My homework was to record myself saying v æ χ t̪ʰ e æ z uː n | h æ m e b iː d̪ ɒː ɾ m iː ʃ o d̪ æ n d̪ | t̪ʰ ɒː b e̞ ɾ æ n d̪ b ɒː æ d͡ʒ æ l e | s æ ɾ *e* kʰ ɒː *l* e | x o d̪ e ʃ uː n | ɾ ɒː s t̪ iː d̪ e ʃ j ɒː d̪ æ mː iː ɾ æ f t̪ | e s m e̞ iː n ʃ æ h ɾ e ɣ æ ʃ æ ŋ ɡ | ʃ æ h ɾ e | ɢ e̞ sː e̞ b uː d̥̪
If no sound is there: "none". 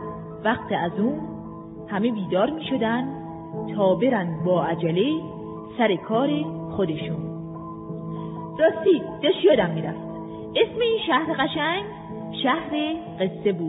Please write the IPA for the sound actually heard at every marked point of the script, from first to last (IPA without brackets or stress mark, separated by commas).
e, ɾ